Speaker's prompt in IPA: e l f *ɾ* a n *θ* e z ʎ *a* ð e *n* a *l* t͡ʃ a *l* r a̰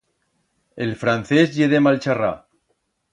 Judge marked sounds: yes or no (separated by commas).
yes, yes, no, no, yes, no